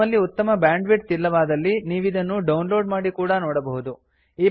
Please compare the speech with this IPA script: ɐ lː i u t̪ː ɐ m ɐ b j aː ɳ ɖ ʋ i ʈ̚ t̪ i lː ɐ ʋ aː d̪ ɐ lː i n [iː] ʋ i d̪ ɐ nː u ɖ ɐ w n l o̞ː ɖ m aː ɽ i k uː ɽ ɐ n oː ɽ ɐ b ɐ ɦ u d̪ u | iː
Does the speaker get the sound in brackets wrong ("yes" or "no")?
no